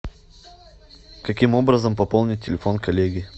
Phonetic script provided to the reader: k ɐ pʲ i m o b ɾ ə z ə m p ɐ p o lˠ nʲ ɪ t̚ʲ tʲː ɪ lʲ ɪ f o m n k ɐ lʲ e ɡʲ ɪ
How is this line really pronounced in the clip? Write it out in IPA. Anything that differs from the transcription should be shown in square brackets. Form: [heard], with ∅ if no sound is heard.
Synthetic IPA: k ɐ [kʲ] i m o b ɾ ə z ə m p ɐ p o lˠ nʲ ɪ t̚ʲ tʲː ɪ lʲ ɪ f o [∅] n k ɐ lʲ e ɡʲ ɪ

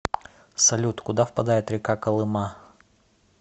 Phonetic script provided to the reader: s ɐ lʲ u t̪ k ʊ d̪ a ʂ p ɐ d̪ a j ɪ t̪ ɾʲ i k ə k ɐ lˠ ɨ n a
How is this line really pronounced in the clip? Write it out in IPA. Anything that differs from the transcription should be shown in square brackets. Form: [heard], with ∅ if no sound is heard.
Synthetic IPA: s ɐ lʲ u t̪ k ʊ d̪ a [f] p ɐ d̪ a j ɪ t̪ ɾʲ [ɪ] k [a] k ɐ lˠ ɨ [m] a

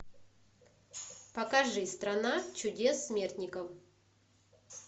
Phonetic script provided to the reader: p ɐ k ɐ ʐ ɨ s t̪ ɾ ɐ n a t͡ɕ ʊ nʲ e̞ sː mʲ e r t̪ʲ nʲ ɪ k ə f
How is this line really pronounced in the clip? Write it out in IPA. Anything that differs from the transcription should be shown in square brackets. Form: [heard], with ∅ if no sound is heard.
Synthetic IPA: p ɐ k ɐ ʐ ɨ s t̪ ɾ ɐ n a t͡ɕ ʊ [dʲ] e̞ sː mʲ e r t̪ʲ nʲ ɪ k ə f

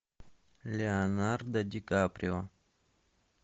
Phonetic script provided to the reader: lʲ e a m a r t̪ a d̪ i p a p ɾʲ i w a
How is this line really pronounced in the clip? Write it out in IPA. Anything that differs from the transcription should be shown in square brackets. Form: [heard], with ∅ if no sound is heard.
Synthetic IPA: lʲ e a [n] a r [d̪] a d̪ i [k] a p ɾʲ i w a

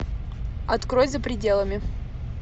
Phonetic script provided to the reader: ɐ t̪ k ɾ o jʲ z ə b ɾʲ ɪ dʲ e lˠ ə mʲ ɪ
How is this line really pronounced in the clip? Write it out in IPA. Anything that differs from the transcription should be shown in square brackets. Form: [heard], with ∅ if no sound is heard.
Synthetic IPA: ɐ t̪ k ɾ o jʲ z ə [p] ɾʲ ɪ dʲ e lˠ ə mʲ ɪ

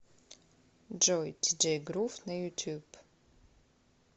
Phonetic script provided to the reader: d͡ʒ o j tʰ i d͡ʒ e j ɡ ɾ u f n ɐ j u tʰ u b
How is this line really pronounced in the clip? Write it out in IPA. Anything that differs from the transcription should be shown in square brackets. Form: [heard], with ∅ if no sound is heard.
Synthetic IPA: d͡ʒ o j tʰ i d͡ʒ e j ɡ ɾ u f n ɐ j u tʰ u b

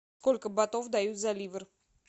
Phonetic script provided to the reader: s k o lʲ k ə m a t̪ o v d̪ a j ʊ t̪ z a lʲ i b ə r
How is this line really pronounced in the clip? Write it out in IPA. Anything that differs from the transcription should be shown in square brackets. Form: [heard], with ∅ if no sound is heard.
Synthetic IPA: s k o lʲ k ə [b] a t̪ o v d̪ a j [u] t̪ z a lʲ i [v] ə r

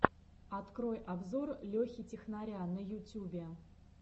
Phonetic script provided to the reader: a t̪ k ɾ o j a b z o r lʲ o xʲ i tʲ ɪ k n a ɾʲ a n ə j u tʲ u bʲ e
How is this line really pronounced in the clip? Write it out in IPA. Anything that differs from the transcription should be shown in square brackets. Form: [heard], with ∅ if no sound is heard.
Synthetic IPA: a t̪ k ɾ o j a b z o r lʲ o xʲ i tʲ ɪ [x] n a ɾʲ a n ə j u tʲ u bʲ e

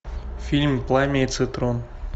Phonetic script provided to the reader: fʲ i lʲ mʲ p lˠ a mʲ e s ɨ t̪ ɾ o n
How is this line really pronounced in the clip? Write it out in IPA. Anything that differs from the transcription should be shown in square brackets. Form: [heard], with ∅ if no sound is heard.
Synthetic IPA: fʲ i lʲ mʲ p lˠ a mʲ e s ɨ t̪ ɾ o n

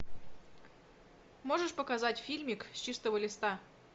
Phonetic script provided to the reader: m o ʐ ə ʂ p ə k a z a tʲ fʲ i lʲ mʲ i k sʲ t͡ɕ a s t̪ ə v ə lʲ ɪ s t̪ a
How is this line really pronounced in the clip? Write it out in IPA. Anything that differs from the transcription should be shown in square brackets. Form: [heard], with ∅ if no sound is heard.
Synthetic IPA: m o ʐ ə ʂ p ə k a z a tʲ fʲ i lʲ mʲ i k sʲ t͡ɕ [i] s t̪ ə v ə lʲ ɪ s t̪ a

